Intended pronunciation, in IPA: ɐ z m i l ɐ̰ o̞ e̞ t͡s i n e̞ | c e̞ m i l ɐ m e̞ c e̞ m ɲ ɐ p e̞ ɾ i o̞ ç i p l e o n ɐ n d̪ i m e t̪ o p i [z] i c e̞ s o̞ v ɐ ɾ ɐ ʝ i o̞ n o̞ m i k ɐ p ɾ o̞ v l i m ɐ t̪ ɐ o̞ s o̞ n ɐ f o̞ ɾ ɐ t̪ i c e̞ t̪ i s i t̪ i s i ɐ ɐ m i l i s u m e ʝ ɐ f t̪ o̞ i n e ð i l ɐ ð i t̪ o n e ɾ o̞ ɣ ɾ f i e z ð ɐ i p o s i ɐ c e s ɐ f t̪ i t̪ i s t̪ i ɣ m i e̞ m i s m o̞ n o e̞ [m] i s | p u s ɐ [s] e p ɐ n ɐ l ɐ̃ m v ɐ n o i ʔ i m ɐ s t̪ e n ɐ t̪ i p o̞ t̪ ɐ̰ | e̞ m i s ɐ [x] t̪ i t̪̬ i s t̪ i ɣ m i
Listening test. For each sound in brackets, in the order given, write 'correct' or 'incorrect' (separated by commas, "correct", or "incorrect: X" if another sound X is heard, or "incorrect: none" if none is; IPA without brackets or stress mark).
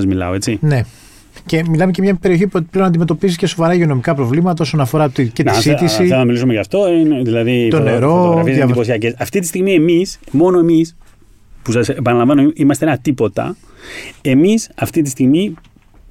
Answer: correct, correct, correct, incorrect: f